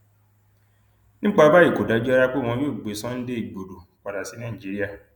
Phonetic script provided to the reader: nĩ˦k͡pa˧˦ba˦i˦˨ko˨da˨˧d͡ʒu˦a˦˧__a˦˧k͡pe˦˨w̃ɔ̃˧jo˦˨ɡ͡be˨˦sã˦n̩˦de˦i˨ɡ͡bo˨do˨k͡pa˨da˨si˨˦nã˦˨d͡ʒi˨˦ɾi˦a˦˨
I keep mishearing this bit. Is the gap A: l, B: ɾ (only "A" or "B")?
B